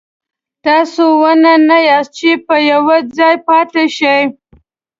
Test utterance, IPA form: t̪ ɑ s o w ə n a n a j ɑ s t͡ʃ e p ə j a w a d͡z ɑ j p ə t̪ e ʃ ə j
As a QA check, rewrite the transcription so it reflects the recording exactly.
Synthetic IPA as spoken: t̪ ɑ s o w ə n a n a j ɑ s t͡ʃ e p ə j a w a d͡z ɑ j p ɑ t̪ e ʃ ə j